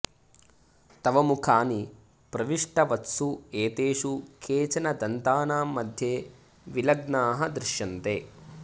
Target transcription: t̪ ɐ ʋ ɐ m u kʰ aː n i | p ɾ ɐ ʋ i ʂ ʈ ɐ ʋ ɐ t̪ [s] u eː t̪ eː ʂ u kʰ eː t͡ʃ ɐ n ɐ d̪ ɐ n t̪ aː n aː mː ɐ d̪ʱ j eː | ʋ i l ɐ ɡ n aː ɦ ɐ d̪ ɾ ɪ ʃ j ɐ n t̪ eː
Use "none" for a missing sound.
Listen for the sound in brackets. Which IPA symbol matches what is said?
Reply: s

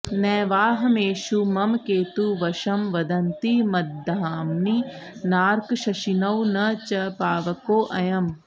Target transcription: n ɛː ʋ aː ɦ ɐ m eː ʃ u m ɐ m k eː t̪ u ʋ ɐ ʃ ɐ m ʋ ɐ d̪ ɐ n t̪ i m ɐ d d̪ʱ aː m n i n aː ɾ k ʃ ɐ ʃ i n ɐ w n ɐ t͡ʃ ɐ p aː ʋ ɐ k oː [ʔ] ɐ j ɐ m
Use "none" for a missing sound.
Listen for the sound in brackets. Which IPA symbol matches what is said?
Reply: ʔ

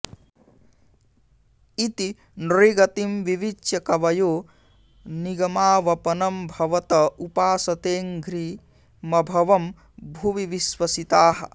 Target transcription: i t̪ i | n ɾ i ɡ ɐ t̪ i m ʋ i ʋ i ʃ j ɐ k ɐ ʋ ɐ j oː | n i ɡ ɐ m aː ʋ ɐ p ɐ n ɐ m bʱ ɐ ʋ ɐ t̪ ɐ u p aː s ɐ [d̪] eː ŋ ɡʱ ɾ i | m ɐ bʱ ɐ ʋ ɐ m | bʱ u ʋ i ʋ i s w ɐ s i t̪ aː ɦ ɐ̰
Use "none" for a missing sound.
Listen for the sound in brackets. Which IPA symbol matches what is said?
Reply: t̪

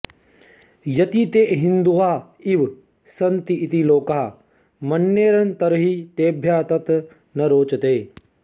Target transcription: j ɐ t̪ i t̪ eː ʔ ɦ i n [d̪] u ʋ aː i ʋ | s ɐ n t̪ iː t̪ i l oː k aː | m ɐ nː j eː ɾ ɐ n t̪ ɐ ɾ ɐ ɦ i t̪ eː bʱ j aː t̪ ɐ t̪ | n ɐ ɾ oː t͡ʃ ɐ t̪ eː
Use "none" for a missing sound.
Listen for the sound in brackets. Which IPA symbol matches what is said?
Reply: d̪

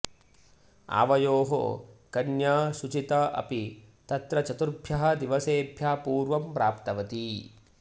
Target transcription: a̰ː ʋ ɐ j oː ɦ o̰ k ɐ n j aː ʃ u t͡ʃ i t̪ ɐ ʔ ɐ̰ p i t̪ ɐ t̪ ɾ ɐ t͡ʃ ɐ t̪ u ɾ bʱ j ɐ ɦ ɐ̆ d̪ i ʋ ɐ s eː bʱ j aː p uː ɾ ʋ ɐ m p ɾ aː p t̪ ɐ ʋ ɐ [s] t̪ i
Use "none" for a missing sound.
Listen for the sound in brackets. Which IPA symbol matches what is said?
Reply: none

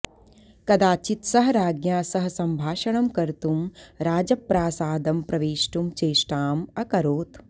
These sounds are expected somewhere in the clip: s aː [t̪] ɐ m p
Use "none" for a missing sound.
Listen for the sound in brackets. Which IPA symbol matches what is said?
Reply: d̪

